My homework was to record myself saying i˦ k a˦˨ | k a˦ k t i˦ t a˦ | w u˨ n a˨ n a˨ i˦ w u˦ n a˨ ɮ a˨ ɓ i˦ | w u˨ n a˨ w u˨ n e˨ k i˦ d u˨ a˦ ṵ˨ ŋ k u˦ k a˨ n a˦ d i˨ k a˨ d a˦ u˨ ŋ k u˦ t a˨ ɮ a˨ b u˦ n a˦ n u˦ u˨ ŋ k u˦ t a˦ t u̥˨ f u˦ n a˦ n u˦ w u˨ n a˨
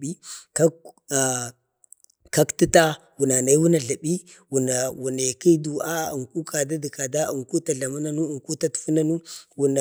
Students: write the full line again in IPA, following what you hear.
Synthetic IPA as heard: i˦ k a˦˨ | k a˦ k t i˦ t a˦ | w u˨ n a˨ n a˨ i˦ w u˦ n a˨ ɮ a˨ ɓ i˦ | w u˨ n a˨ w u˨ n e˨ k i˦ d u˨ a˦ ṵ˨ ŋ k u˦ k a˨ d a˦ d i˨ k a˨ d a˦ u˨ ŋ k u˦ t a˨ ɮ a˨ m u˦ n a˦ n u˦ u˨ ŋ k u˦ t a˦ t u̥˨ f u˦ n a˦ n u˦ w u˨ n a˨

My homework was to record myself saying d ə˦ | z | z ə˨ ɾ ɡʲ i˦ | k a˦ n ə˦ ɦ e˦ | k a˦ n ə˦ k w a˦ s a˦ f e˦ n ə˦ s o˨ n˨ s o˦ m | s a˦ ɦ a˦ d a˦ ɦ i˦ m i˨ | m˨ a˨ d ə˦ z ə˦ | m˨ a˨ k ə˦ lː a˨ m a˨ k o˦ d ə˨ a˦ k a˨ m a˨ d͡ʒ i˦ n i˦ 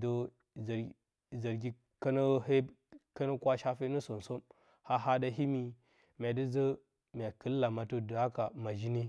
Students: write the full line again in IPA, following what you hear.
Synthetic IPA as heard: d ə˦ | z | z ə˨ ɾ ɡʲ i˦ | k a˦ n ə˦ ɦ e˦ | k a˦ n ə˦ k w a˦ ʃ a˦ f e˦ n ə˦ s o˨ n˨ s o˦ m | h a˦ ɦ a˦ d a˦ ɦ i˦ m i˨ | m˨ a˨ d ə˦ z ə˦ | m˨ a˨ k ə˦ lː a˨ m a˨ t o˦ d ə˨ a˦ k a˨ m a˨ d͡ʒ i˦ n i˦

